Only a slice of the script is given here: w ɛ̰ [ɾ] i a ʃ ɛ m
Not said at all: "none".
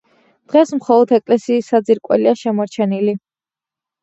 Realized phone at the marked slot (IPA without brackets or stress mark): l